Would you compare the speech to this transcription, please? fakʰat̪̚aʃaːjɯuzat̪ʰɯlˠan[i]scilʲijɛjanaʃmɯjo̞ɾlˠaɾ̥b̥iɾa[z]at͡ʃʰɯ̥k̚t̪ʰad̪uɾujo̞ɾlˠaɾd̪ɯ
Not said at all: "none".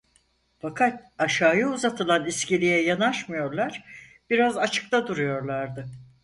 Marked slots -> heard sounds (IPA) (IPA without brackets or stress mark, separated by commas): i, z